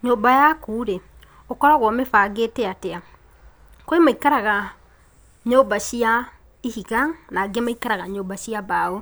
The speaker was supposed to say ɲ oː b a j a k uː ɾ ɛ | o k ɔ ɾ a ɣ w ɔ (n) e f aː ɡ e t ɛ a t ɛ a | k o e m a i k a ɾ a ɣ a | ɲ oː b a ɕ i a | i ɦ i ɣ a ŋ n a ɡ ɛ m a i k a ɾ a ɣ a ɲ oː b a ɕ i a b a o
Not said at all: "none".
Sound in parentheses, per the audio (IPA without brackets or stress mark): m